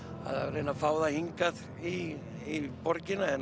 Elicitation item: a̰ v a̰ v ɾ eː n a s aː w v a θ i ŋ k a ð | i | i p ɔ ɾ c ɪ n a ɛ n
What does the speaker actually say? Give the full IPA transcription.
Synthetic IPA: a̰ ð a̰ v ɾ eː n a f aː w ð a h i ŋ k a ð | i | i p ɔ ɾ c ɪ n a ɛ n

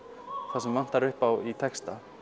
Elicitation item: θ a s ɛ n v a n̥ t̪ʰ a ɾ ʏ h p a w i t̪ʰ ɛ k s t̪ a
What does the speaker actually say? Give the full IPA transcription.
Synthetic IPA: θ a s ɛ m v a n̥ t̪ a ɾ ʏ h p a w i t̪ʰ ɛ k s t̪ a

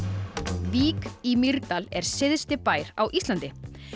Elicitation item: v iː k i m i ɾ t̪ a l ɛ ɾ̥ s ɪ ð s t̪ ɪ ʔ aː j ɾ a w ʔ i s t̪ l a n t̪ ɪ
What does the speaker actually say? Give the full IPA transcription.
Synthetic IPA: v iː k i m i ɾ t̪ a l ɛ ɾ̥ s ɪ ð s t̪ ɪ p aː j ɾ a w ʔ i s t̪ l a n t̪ ɪ

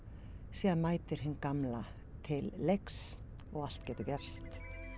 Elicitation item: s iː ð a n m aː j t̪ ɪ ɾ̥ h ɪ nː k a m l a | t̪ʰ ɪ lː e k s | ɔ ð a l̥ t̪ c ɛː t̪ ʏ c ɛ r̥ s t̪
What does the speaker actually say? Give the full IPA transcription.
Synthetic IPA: s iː ð a n m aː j t̪ ɪ ɾ̥ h ɪ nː k a m l a | t̪ʰ ɪ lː e k s | ɔ ɣ a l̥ t̪ c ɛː t̪ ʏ c ɛ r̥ s t̪

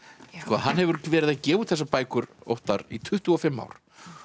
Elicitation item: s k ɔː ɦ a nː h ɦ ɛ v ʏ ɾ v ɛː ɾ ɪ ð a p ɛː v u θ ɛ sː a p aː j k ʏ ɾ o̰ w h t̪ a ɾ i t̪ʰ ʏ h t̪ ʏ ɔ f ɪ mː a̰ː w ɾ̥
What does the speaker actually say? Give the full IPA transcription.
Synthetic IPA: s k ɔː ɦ a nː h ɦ ɛ v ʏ ɾ v ɛː ɾ ɪ ð a c ɛː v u θ ɛ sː a p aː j k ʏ ɾ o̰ w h t̪ a ɾ i t̪ʰ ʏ h t̪ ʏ ɔ f ɪ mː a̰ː w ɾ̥

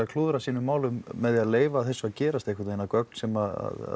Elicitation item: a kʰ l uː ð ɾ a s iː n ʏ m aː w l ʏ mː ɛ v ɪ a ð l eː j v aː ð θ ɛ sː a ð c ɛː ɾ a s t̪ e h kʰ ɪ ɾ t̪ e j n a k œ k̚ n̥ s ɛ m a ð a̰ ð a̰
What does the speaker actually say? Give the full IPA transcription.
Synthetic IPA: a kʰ l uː ð ɾ a s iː n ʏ m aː w l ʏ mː ɛ ð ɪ a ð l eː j v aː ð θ ɛ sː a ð c ɛː ɾ a s t̪ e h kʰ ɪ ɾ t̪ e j n a k œ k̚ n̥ s ɛ m a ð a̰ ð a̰

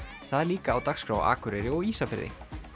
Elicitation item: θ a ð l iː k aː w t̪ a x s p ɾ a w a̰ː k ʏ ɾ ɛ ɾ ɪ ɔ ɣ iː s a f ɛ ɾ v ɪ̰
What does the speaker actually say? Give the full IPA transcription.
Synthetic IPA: θ a ð l iː k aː w t̪ a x s k ɾ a w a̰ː k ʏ ɾ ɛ ɾ ɪ ɔ ɣ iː s a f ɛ ɾ ð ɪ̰

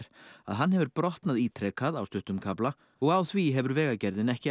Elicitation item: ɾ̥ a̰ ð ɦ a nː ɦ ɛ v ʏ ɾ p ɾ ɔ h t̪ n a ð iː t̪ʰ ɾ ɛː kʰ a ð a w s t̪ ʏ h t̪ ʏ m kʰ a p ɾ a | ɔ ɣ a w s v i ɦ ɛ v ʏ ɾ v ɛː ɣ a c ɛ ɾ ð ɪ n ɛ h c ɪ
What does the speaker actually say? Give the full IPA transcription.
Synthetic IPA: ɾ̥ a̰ ð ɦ a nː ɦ ɛ v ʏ ɾ p ɾ ɔ h t̪ n a ð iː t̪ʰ ɾ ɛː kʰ a ð a w s t̪ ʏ h t̪ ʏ m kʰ a p l a | ɔ ɣ a w θ v i ɦ ɛ v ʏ ɾ v ɛː ɣ a c ɛ ɾ ð ɪ n ɛ h c ɪ

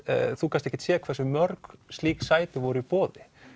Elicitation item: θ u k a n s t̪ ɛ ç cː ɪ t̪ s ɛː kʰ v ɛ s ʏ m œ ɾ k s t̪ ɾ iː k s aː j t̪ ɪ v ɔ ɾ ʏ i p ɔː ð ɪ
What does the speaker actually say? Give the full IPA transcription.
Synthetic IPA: θ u k a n s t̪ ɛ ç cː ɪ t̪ s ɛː kʰ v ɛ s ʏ m œ ɾ k s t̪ l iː k s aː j t̪ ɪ v ɔ ɾ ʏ i p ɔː ð ɪ

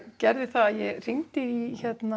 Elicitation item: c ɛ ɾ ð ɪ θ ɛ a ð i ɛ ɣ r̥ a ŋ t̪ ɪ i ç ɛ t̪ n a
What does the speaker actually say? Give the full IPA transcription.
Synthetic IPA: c ɛ ɾ ð ɪ θ a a ð j ɛ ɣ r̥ i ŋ t̪ ɪ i ç ɛ t̪ n a

